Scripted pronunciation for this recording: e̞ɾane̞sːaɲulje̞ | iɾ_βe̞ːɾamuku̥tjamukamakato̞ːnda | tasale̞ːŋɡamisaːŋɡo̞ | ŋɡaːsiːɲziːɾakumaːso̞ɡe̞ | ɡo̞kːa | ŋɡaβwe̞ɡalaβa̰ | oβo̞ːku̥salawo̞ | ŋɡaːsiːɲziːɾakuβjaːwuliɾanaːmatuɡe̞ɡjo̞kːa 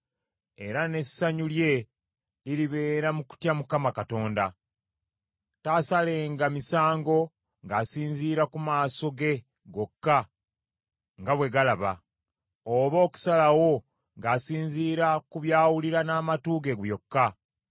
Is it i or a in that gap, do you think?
i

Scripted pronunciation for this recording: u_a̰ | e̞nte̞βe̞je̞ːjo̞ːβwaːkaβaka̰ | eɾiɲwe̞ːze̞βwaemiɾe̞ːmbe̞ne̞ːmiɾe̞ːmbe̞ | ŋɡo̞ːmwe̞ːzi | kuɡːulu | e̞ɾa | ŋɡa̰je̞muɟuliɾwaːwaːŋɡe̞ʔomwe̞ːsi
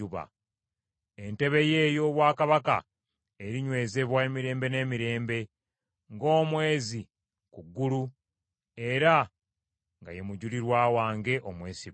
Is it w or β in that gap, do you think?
β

